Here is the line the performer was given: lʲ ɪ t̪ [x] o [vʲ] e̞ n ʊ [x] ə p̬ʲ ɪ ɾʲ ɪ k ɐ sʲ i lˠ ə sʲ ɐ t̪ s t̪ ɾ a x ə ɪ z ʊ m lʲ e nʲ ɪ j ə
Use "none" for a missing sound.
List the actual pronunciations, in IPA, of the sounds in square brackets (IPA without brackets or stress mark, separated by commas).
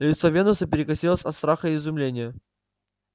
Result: s, vʲ, s